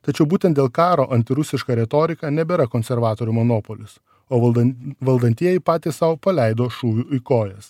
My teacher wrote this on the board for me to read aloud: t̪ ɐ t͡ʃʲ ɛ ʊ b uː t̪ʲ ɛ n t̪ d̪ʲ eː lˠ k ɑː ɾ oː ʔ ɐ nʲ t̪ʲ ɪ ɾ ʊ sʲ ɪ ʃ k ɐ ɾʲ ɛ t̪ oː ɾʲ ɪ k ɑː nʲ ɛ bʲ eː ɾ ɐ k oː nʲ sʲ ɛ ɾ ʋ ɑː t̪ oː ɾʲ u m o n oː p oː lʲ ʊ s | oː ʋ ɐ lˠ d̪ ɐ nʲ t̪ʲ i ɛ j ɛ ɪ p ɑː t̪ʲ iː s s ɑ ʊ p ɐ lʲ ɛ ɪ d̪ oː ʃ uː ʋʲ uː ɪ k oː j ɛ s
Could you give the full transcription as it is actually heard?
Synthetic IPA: t̪ ɐ t͡ʃʲ ɛ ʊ b uː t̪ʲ ɛ n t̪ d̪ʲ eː lˠ k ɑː ɾ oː ʔ ɐ nʲ t̪ʲ ɪ ɾ ʊ sʲ ɪ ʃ k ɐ ɾʲ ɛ t̪ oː ɾʲ ɪ k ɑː nʲ ɛ bʲ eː ɾ ɐ k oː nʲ sʲ ɛ ɾ ʋ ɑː t̪ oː ɾʲ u m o n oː p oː lʲ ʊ s | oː ʋ ɐ lˠ d̪ ɐ nʲ t̪ʲ i ɛ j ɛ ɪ p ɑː t̪ʲ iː s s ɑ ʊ p ɐ lʲ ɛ ɪ d̪ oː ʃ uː ʋʲ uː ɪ k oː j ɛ s

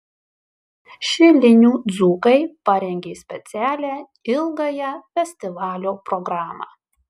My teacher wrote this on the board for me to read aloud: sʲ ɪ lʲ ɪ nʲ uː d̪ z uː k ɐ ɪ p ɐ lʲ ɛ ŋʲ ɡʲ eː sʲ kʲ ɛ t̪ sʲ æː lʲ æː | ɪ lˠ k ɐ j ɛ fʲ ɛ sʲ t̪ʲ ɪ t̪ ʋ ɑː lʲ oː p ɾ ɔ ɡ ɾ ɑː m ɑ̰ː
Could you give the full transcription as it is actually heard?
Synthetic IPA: ʃʲ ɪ lʲ ɪ nʲ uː d̪ z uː k ɐ ɪ p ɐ ɾʲ ɛ ŋʲ ɡʲ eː sʲ pʲ ɛ t̪ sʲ æː lʲ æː | ɪ lˠ ɡ ɐ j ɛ fʲ ɛ sʲ t̪ʲ ɪ ʋ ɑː lʲ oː p ɾ ɔ ɡ ɾ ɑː m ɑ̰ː

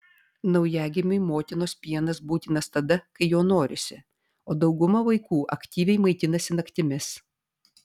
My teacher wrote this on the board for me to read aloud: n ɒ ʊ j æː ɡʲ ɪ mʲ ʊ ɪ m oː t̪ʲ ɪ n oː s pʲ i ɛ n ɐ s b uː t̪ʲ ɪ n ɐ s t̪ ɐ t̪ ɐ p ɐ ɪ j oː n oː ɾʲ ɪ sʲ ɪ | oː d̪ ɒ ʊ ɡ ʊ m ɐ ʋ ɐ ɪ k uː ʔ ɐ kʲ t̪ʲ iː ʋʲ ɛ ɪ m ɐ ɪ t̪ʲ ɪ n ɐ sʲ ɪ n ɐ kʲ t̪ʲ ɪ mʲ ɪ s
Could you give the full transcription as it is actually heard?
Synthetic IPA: n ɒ ʊ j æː ɡʲ ɪ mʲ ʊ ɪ m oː t̪ʲ ɪ n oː s pʲ i ɛ n ɐ s b uː t̪ʲ ɪ n ɐ s t̪ ɐ d̪ ɐ k ɐ ɪ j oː n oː ɾʲ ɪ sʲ ɪ | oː d̪ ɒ ʊ ɡ ʊ m ɐ ʋ ɐ ɪ k uː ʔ ɐ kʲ t̪ʲ iː ʋʲ ɛ ɪ m ɐ ɪ t̪ʲ ɪ n ɐ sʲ ɪ n ɐ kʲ t̪ʲ ɪ mʲ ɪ s

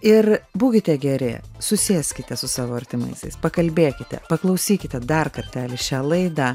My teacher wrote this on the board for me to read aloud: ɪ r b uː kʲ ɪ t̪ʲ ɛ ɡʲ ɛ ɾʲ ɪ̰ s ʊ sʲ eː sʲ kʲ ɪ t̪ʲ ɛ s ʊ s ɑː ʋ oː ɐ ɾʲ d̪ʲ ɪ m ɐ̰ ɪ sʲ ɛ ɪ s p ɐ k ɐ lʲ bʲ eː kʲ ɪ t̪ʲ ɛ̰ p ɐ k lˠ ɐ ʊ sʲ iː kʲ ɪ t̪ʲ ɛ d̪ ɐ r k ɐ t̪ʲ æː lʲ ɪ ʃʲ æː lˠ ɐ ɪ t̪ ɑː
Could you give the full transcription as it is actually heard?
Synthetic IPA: ɪ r b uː kʲ ɪ t̪ʲ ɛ ɡʲ ɛ ɾʲ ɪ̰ s ʊ sʲ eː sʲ kʲ ɪ t̪ʲ ɛ s ʊ s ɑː ʋ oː ɐ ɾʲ t̪ʲ ɪ m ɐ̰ ɪ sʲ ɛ ɪ s p ɐ k ɐ lʲ bʲ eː kʲ ɪ t̪ʲ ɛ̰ p ɐ k lˠ ɐ ʊ sʲ iː kʲ ɪ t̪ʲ ɛ d̪ ɐ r k ɐ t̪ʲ æː lʲ ɪ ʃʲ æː lˠ ɐ ɪ d̪ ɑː

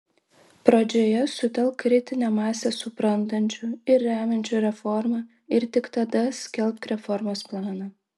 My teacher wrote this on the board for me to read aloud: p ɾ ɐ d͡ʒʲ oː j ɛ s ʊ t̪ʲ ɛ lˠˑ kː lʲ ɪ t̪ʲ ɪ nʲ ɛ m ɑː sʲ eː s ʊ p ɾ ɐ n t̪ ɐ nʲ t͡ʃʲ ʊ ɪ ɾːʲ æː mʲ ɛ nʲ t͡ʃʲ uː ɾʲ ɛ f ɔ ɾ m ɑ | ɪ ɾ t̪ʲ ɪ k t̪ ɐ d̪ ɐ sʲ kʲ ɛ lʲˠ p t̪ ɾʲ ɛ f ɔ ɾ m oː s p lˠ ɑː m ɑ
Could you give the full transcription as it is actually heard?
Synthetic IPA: p ɾ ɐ d͡ʒʲ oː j ɛ s ʊ t̪ʲ ɛ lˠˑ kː ɾʲ ɪ t̪ʲ ɪ nʲ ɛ m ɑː sʲ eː s ʊ p ɾ ɐ n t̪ ɐ nʲ t͡ʃʲ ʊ ɪ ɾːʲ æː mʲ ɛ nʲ t͡ʃʲ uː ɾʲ ɛ f ɔ ɾ m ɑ | ɪ ɾ t̪ʲ ɪ k t̪ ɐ d̪ ɐ sʲ kʲ ɛ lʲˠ p t̪ ɾʲ ɛ f ɔ ɾ m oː s p lˠ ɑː n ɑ

